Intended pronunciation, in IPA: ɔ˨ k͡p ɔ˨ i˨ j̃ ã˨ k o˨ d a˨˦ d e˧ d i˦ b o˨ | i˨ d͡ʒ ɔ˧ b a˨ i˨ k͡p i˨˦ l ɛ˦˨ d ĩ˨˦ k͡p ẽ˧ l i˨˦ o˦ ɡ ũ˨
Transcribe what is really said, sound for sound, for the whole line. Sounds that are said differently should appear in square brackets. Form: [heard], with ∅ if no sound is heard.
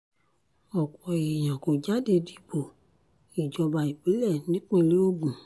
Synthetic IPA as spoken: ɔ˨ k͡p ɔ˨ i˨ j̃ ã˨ k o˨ [d͡ʒ] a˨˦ d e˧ d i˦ b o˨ | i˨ d͡ʒ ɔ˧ b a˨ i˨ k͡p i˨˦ l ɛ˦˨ [n] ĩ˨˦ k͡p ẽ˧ l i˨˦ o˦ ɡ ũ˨